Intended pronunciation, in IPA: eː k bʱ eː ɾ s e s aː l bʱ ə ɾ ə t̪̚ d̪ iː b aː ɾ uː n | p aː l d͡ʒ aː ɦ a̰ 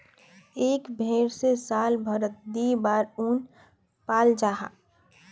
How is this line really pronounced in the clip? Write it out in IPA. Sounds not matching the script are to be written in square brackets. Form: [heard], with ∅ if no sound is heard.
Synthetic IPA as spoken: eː k bʱ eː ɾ s e s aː l bʱ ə ɾ ə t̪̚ d̪ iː b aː ɾ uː n | p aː l d͡ʒ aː ɦ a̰